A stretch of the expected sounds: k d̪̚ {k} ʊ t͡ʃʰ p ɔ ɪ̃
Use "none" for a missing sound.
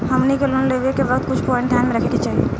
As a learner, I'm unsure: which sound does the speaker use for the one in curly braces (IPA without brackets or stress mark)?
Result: k